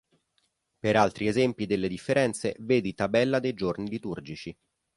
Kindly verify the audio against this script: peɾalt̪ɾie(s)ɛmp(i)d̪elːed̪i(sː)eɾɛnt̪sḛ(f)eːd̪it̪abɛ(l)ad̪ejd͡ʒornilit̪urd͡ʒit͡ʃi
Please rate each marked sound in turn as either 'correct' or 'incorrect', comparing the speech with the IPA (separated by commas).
incorrect, correct, incorrect, incorrect, incorrect